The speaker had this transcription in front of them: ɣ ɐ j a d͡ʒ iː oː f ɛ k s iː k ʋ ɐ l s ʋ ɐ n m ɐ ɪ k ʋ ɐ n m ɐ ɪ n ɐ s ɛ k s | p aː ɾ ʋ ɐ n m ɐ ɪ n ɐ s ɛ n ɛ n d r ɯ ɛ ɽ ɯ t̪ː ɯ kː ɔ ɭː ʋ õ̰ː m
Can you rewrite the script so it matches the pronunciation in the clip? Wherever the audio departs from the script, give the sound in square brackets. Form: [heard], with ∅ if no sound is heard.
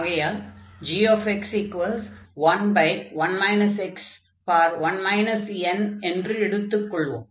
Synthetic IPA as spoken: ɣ ɐ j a d͡ʒ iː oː f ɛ k s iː k ʋ ɐ l s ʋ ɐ n [b] ɐ ɪ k ʋ ɐ n m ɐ ɪ n ɐ s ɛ k s | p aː ɾ ʋ ɐ n m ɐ ɪ n ɐ s ɛ n ɛ n d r ɯ ɛ ɽ ɯ t̪ː ɯ kː ɔ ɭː ʋ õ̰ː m